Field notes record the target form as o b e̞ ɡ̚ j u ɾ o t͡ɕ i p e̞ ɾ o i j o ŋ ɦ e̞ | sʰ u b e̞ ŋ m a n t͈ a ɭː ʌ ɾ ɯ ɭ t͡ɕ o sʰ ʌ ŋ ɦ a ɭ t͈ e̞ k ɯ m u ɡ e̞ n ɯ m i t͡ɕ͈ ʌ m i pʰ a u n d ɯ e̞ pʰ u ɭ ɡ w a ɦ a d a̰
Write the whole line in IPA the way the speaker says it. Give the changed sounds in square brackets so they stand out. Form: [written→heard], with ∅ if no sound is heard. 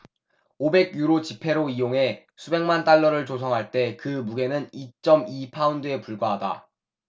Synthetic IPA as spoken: o b e̞ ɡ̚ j u ɾ o t͡ɕ i [p→pʰ] e̞ ɾ o i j o ŋ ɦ e̞ | sʰ u b e̞ ŋ m a n t͈ a ɭː ʌ ɾ ɯ ɭ t͡ɕ o sʰ ʌ ŋ ɦ a ɭ t͈ e̞ k ɯ m u ɡ e̞ n ɯ [m→n] i t͡ɕ͈ ʌ m i pʰ a u n d ɯ e̞ [pʰ→p] u ɭ ɡ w a ɦ a d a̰